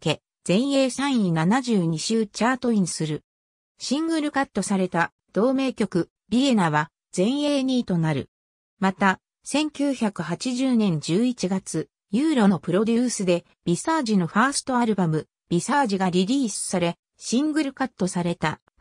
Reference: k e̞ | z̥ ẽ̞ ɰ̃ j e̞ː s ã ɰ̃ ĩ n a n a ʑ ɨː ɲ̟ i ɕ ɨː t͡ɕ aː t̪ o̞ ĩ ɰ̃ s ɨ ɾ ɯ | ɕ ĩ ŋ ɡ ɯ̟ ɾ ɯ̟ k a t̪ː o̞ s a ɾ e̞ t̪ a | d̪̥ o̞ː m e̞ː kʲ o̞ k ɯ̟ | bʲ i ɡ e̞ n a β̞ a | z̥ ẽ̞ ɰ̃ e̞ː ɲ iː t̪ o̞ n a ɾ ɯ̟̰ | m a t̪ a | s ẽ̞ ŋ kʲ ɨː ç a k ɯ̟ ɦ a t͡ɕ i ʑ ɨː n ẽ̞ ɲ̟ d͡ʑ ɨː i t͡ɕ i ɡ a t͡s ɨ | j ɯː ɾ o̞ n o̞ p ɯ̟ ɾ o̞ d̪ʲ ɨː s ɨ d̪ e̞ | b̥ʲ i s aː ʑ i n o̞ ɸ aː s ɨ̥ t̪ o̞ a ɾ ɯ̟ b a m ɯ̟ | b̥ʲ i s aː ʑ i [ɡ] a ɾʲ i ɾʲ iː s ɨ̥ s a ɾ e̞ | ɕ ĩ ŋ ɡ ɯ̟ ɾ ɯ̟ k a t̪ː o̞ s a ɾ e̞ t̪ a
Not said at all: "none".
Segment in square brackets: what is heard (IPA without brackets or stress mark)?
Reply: ɡ